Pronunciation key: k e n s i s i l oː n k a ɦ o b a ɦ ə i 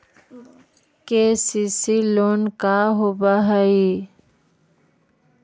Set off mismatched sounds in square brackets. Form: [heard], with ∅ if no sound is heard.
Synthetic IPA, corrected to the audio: k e [∅] s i s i l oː n k a ɦ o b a ɦ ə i